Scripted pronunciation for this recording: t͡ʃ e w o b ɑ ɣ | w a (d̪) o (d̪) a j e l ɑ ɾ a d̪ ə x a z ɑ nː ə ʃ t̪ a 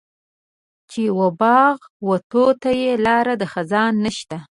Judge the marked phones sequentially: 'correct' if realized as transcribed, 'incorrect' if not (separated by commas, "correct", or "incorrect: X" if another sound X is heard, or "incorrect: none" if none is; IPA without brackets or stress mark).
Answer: incorrect: t̪, incorrect: t̪